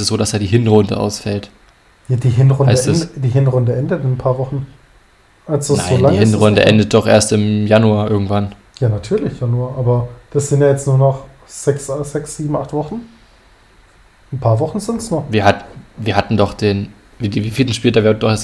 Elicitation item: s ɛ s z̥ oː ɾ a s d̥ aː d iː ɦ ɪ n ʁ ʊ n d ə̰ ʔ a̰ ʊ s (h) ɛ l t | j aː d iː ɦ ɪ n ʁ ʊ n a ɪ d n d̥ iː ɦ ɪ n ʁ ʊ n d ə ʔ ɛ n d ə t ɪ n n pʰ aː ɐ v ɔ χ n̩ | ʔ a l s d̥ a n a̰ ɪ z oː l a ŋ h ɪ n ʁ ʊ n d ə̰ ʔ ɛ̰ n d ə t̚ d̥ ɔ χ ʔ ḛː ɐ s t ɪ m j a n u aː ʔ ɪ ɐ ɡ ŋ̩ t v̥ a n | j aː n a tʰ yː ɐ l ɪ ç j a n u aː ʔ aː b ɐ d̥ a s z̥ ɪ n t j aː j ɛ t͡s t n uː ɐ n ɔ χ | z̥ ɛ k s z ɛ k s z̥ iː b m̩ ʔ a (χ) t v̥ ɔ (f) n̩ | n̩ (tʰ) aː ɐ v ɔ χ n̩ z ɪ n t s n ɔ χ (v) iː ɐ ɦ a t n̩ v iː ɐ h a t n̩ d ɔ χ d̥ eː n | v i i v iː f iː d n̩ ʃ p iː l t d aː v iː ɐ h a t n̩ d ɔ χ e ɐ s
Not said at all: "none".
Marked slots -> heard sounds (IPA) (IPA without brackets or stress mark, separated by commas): f, χ, χ, pʰ, v